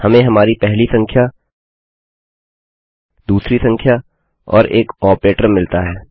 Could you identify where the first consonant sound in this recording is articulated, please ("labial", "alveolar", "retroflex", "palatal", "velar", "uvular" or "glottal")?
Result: glottal